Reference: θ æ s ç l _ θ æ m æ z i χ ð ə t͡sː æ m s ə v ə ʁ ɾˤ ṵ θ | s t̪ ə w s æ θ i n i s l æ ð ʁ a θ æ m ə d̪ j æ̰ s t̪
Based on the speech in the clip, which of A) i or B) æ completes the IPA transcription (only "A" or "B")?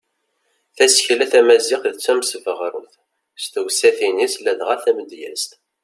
B